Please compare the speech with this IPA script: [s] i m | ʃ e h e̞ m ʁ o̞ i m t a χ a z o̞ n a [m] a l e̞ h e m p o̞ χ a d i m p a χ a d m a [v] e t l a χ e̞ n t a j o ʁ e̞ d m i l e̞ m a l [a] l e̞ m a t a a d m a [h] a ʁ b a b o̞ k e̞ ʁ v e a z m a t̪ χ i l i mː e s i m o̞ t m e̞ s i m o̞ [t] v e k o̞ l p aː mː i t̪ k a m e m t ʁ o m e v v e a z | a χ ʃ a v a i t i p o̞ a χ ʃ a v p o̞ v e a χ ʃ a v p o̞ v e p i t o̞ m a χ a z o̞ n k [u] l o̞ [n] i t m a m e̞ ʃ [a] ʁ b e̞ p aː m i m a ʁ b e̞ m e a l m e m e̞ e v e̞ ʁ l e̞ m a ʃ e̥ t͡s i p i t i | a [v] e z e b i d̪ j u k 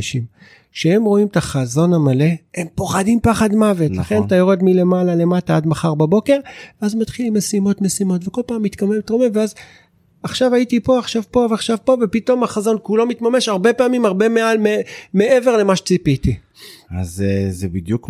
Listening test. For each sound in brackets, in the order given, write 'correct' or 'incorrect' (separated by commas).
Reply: incorrect, correct, correct, correct, incorrect, correct, correct, incorrect, correct, incorrect